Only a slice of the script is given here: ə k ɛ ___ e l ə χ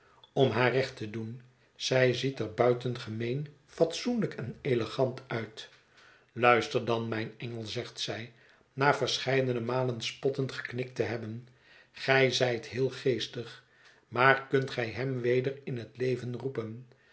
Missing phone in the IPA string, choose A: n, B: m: A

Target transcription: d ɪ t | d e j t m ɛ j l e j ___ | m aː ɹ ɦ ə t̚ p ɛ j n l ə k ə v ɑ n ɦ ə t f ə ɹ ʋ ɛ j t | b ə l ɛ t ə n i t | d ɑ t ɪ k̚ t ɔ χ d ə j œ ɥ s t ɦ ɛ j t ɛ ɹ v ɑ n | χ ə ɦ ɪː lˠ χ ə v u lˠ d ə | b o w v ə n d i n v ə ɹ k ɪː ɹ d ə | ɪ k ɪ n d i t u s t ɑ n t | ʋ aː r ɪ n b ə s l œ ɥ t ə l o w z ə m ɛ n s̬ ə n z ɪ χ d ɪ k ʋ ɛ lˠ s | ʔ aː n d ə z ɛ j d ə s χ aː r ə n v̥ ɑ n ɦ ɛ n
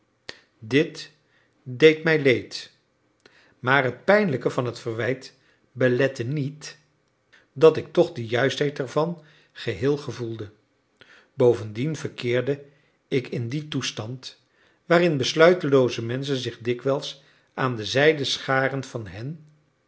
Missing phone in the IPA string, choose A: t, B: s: A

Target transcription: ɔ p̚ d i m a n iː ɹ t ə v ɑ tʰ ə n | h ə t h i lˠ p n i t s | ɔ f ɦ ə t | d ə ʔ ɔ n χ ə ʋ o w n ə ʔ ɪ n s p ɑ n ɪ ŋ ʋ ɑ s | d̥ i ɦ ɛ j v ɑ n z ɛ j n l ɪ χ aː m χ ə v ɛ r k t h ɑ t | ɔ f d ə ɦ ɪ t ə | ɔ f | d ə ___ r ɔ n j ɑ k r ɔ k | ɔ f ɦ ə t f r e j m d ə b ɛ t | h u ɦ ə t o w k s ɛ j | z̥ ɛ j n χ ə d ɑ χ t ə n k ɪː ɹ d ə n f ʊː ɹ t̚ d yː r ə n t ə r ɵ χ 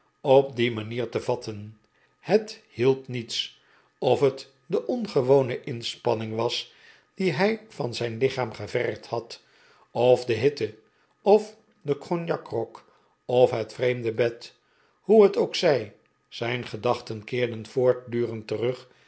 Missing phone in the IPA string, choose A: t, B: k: B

